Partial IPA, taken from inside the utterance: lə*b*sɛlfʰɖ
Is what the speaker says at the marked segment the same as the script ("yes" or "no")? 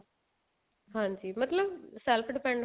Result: yes